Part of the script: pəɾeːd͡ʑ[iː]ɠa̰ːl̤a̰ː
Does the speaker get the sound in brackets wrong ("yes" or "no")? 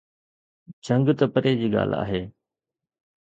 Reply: no